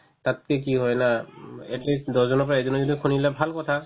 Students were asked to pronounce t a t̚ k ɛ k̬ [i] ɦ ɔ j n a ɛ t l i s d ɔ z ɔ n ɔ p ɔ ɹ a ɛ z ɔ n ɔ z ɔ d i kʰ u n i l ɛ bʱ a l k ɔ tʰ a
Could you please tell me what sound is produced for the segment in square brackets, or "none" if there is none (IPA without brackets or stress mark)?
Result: i